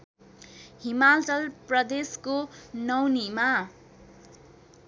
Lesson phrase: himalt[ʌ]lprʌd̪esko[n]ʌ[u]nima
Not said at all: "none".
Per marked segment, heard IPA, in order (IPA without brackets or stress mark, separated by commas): ʌ, n, w